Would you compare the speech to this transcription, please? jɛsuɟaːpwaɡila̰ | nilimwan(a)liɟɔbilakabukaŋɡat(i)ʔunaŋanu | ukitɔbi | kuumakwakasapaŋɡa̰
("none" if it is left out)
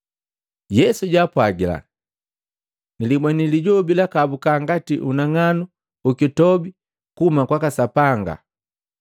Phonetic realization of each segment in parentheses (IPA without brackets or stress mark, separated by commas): i, i